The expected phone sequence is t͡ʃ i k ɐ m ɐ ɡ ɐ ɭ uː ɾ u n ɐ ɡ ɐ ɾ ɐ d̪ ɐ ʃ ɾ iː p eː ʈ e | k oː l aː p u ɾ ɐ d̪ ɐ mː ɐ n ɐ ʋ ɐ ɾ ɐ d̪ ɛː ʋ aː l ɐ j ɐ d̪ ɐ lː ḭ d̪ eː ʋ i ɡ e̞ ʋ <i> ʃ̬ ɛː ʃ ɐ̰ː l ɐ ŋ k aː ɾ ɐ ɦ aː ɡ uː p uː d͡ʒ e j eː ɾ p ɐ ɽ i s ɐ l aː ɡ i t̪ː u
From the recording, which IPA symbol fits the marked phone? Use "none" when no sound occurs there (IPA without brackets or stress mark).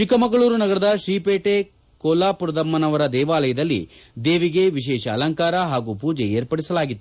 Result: i